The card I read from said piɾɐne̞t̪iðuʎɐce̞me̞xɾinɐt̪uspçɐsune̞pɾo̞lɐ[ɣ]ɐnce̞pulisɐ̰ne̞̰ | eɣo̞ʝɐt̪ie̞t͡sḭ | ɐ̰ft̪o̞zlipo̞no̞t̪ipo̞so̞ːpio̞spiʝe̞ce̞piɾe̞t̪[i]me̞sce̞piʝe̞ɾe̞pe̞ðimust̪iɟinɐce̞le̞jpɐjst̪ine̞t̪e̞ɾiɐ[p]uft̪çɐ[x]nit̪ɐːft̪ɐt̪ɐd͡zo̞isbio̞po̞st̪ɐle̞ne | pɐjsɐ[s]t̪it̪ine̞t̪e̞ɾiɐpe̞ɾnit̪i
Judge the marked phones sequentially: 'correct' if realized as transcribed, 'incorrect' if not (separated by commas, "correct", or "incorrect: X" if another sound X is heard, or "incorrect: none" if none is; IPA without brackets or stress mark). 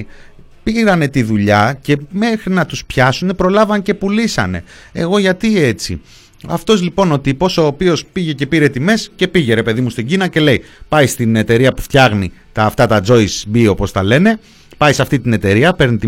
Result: incorrect: v, correct, correct, incorrect: ɣ, incorrect: f